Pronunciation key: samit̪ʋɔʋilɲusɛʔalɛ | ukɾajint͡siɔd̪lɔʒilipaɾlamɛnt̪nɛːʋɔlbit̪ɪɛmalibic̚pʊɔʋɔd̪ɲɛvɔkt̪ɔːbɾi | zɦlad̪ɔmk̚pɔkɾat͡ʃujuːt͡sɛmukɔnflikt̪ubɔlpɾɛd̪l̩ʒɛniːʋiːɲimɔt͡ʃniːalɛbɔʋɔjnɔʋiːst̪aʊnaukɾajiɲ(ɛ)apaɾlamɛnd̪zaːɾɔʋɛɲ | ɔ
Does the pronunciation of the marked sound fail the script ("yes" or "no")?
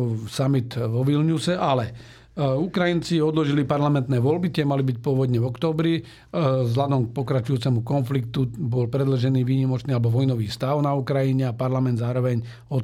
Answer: no